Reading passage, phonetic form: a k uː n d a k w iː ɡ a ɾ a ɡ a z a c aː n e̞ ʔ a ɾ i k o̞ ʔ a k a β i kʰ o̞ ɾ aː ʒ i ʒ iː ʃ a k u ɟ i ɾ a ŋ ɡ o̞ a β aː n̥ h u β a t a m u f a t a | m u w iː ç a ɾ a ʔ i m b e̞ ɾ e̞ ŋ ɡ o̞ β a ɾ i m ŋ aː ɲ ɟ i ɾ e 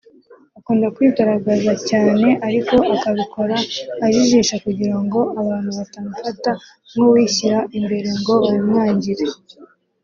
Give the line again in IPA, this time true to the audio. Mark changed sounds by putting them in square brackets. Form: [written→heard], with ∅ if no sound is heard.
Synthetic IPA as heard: a k uː n d a k w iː ɡ a ɾ a ɡ a z a c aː n e̞ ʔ a ɾ i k o̞ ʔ a k a β i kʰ o̞ ɾ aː ʒ i ʒ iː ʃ a k u ɟ i ɾ a ŋ ɡ o̞ a β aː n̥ h u β a t a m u f a t a | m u w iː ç [a→i] ɾ a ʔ i m b e̞ ɾ e̞ ŋ ɡ o̞ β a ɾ i m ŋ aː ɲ ɟ i ɾ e